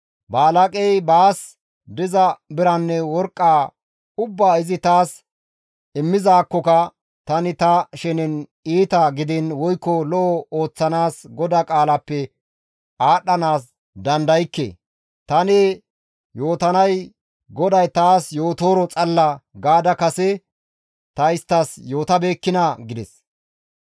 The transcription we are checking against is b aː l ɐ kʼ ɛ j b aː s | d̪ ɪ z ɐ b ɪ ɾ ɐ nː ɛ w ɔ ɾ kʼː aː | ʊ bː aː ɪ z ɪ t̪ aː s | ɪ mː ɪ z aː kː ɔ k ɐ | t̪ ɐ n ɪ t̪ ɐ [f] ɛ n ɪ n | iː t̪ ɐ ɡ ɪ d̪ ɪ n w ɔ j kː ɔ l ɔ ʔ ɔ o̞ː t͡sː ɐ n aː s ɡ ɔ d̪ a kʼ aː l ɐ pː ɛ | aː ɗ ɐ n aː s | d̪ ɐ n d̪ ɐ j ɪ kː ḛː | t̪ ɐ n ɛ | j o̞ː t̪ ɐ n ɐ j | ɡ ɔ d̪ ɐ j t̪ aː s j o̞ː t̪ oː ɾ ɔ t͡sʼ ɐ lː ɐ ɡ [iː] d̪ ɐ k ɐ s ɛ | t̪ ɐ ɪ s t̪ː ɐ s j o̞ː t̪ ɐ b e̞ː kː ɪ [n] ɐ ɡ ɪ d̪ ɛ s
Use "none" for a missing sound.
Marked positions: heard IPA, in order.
ʃ, aː, n

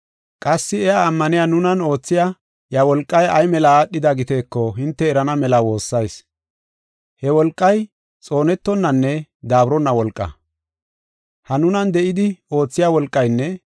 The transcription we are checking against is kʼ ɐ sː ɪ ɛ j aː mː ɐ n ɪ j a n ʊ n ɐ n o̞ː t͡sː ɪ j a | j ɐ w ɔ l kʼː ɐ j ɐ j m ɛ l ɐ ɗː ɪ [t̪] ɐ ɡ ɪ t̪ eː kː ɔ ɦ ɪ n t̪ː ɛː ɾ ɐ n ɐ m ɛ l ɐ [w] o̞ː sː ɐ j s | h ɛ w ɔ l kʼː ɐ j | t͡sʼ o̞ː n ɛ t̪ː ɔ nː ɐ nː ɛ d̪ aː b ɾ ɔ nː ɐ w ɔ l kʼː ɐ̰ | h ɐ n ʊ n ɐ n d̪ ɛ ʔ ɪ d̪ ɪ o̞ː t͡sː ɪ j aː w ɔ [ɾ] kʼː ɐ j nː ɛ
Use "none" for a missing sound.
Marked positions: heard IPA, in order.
d̪, w, l

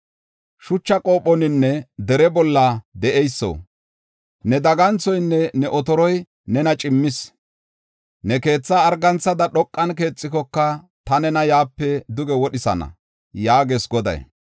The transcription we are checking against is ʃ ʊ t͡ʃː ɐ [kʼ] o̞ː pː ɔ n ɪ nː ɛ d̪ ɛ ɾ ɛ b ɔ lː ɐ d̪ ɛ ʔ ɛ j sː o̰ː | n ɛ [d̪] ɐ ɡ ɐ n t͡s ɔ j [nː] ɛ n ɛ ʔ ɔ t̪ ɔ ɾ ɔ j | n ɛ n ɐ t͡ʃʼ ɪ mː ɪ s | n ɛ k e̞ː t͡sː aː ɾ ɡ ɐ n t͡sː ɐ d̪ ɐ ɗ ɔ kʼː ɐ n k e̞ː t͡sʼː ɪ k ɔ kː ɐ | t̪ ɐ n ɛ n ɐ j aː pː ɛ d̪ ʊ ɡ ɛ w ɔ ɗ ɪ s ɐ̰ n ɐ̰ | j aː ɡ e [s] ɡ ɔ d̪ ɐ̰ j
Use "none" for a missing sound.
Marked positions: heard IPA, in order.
kʼ, d̪, nː, s

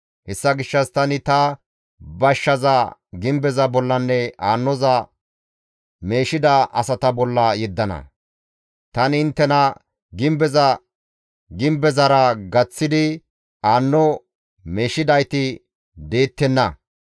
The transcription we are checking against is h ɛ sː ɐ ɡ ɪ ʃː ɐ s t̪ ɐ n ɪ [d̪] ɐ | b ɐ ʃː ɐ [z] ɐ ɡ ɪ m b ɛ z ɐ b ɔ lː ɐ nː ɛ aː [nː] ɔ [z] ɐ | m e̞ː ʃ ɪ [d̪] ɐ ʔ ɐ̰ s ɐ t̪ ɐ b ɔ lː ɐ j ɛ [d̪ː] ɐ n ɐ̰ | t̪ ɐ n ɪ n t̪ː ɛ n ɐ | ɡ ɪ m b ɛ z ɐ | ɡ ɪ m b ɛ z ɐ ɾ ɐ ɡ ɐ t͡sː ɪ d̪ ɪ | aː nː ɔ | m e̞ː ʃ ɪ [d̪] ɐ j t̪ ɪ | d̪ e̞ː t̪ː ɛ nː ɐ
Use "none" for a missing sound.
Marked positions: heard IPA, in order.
t̪, z, nː, z, d̪, d̪ː, d̪

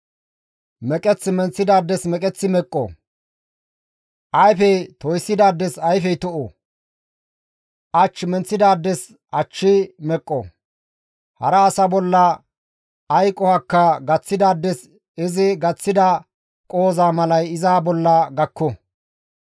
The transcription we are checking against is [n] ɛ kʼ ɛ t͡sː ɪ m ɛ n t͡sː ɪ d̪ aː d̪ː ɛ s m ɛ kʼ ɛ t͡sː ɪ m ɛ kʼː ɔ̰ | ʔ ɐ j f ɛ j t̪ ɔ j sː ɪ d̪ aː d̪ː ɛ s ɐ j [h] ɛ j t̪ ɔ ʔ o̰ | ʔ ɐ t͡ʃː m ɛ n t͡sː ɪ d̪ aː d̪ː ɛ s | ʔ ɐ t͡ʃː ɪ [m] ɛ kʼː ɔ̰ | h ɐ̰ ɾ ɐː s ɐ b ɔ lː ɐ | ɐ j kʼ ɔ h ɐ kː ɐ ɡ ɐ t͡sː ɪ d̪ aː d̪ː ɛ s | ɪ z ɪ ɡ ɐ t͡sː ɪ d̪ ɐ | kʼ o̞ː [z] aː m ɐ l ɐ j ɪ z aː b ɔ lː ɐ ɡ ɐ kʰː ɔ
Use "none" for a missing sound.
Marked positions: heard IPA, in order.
m, f, m, z

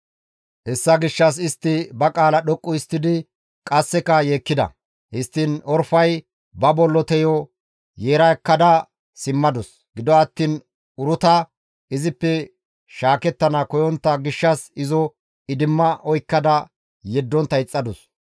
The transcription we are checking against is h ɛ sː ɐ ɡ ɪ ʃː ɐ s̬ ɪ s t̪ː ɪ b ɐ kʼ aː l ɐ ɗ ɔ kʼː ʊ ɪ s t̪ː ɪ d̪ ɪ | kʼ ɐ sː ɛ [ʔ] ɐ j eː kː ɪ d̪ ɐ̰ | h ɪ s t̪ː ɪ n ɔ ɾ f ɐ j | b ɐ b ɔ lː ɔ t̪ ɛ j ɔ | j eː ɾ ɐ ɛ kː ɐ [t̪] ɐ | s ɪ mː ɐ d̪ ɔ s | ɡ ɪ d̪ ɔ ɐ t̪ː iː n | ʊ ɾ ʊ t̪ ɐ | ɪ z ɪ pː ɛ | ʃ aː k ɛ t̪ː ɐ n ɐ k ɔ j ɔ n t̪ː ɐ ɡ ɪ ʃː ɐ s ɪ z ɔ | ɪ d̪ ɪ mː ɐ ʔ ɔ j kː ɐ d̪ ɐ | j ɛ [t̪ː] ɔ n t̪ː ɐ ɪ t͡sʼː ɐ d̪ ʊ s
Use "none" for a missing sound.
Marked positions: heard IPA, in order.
k, d̪, d̪ː

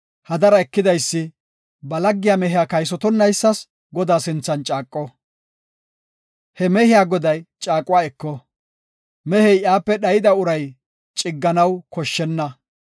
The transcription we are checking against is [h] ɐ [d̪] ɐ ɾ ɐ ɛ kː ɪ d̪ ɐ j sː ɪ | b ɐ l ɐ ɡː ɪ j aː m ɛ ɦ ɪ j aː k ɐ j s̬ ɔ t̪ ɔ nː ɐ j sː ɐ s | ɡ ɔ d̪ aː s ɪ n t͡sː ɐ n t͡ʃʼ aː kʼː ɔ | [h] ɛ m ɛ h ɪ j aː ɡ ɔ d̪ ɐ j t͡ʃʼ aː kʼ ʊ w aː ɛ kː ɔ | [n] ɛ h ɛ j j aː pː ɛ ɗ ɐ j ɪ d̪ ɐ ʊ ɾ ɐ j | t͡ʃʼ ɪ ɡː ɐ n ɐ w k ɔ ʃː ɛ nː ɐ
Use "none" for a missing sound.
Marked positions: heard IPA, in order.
h, d̪, h, m

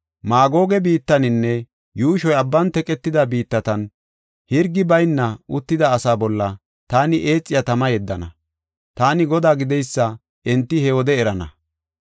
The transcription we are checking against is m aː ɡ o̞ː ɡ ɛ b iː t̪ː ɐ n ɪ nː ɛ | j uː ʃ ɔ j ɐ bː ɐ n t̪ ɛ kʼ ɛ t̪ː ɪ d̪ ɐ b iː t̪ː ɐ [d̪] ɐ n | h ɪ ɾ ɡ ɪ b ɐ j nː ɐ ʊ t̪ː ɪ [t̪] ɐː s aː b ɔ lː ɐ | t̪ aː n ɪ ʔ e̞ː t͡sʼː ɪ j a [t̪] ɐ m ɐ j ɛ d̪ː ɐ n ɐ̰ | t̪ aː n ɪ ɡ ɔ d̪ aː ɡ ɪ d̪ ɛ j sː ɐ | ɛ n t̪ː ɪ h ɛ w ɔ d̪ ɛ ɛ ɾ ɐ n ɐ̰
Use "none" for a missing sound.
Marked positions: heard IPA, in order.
t̪, d̪, t̪

